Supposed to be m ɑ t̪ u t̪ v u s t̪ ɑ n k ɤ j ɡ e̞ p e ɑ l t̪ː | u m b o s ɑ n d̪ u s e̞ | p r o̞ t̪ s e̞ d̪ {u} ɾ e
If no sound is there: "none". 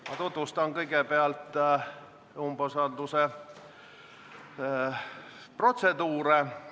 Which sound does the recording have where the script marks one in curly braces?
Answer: uː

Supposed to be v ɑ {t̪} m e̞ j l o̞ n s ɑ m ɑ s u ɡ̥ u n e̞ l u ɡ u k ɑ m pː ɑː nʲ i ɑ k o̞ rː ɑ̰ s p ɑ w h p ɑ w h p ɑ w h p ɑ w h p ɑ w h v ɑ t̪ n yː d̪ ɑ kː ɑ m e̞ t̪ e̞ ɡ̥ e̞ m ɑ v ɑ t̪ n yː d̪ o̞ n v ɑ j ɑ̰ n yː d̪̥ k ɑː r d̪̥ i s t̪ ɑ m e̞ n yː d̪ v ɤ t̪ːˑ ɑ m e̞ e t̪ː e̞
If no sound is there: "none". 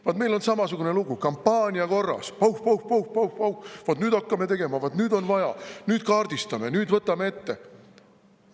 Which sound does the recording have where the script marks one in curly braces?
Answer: t̪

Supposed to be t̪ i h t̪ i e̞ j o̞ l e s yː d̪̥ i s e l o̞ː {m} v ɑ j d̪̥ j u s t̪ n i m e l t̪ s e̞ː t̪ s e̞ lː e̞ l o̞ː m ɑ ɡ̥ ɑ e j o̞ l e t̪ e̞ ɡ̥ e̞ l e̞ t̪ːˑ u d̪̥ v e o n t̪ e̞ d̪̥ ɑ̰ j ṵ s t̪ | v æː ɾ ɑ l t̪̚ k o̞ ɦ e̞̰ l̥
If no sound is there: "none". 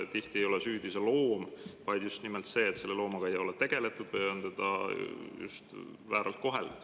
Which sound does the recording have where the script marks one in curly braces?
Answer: m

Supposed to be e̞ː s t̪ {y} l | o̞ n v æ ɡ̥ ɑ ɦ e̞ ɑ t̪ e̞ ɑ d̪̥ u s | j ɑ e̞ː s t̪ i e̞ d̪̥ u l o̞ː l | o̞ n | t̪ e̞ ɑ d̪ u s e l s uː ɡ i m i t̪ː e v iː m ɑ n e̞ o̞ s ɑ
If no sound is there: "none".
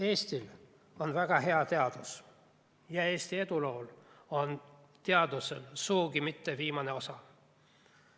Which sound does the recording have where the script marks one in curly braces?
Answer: i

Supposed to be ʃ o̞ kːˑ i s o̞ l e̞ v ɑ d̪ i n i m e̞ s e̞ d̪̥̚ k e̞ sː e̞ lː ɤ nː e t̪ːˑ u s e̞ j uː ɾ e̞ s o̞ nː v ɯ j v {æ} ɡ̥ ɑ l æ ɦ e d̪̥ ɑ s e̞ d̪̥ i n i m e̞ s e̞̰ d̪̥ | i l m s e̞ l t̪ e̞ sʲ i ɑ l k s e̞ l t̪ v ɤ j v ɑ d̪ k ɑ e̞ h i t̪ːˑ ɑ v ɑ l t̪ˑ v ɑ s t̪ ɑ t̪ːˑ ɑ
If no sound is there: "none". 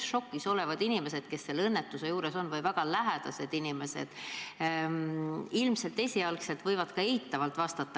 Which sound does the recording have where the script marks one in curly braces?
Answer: æ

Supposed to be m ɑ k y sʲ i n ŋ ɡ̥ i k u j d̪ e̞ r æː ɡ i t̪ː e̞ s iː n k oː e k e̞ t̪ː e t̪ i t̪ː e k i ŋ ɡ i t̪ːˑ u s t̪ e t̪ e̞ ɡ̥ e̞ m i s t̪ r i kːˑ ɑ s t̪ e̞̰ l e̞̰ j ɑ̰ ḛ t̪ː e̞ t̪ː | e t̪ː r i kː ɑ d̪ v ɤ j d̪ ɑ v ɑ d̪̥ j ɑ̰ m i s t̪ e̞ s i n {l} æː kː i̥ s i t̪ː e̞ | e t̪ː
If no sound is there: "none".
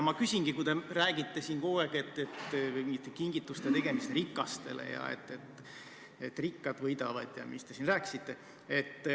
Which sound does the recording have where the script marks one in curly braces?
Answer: r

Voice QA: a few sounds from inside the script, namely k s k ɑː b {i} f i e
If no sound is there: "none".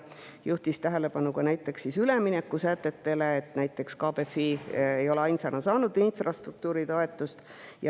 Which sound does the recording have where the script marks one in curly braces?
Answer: e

